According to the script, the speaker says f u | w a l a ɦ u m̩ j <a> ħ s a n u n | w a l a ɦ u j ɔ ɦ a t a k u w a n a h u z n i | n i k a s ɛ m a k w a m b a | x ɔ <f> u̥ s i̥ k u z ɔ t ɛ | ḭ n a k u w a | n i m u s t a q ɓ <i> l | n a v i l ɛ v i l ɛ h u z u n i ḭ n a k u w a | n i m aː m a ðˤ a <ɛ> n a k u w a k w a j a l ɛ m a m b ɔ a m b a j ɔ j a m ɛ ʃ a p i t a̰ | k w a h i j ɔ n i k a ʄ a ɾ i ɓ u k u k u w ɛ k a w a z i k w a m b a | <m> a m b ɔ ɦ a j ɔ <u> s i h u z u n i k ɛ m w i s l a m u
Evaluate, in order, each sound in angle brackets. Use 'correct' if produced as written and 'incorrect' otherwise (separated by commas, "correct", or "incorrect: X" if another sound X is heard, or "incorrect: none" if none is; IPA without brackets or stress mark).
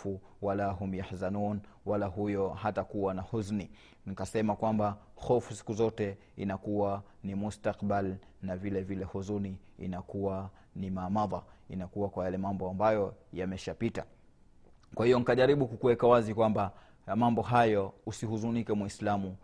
correct, correct, incorrect: a, incorrect: i, correct, correct